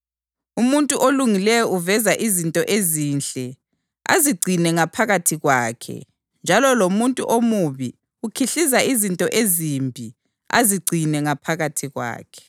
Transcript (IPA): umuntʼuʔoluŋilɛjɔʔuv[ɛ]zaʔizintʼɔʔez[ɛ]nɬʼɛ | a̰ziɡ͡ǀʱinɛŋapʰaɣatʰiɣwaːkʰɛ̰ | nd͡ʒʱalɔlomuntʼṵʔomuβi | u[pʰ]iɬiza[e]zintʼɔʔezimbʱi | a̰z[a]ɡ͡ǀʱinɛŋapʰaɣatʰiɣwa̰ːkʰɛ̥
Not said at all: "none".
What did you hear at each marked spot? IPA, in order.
ɛ, i, kʰ, i, i

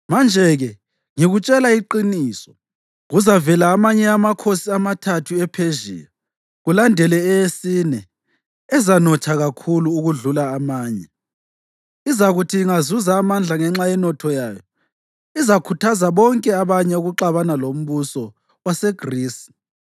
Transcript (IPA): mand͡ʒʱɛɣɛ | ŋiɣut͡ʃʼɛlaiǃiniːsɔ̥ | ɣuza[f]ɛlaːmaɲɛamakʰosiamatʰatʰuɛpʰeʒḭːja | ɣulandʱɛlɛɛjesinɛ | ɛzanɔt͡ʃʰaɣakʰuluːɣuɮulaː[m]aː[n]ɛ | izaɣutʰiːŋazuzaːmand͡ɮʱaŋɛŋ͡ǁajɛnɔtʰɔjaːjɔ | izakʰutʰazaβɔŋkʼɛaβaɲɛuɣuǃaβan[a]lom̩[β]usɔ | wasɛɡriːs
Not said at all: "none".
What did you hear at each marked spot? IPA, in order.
v, m, ɲ, a, β

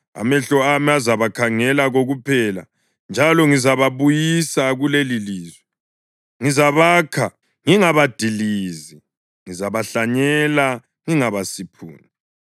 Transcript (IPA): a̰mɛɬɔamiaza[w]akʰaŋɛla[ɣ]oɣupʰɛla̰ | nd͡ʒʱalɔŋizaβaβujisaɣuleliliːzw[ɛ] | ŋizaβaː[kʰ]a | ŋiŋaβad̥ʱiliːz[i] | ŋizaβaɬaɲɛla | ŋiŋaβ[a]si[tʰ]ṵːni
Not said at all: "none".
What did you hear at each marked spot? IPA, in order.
β, ɣ, ɛ, kʰ, i, a, pʰ

